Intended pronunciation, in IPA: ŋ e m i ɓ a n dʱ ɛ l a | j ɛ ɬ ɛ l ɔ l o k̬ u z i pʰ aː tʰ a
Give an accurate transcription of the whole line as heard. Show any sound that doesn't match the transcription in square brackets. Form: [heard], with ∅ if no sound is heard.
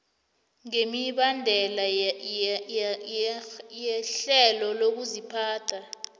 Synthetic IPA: ŋ e m i ɓ a n dʱ ɛ l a | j ɛ ɬ ɛ l ɔ l o k̬ u z i pʰ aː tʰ a